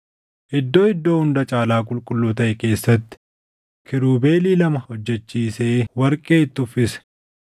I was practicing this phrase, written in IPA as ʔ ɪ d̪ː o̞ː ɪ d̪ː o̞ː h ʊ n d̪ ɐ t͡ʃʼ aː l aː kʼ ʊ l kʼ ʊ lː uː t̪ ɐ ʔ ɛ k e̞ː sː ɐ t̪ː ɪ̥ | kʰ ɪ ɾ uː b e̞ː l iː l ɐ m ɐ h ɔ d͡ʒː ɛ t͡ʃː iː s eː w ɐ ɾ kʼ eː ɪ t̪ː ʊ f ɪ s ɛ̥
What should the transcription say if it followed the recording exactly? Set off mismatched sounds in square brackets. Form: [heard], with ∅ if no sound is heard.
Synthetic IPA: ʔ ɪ d̪ː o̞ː ɪ d̪ː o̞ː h ʊ n d̪ ɐ t͡ʃʼ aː l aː kʼ ʊ l kʼ ʊ lː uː t̪ ɐ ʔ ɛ k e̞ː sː ɐ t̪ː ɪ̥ | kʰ ɪ ɾ uː b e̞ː l iː l ɐ m ɐ h ɔ d͡ʒː ɛ t͡ʃː iː s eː w ɐ ɾ kʼ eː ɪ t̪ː ʊ f ɪ s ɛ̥